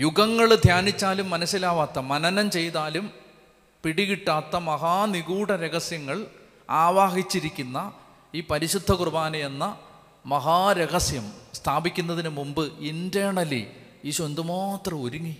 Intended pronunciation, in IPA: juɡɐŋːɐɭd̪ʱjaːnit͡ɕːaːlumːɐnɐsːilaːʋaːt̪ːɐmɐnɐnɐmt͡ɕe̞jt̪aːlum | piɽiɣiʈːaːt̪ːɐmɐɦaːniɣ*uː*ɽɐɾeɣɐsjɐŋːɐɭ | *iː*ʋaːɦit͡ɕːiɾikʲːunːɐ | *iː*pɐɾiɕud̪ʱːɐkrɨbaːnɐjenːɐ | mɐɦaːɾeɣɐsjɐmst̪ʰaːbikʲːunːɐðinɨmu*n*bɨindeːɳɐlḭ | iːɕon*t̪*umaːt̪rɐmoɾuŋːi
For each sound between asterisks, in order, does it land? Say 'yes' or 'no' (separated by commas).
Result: yes, no, yes, no, no